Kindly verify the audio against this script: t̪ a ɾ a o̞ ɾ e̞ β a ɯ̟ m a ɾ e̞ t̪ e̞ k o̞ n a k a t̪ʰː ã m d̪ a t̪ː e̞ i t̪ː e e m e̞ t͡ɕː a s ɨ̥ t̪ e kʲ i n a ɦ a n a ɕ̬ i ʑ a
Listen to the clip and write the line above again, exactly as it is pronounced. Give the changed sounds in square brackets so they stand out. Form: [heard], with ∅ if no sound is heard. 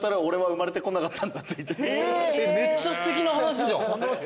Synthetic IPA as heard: t̪ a ɾ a o̞ ɾ e̞ β a ɯ̟ m a ɾ e̞ t̪ e̞ k o̞ n a k a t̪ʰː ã [n] d̪ a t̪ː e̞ i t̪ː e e m e̞ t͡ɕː a s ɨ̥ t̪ e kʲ i n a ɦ a n a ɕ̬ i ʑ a